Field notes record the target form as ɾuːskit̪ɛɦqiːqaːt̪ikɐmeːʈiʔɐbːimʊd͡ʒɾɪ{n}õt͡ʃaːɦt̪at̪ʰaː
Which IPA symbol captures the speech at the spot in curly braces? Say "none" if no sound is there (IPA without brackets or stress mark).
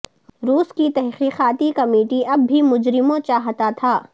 m